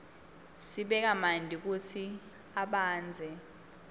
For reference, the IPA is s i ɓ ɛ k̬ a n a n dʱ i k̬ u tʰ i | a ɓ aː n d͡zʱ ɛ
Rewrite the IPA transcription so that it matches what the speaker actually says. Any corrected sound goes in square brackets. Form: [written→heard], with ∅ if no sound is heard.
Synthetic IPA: s i ɓ ɛ k̬ a [n→m] a n dʱ i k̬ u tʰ i | a ɓ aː n d͡zʱ ɛ